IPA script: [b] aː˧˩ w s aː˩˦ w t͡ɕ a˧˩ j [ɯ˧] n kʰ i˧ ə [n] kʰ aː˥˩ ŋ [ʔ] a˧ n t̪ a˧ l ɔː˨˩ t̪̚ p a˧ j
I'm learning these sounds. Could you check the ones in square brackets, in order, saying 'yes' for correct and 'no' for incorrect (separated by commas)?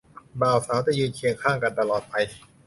yes, no, no, no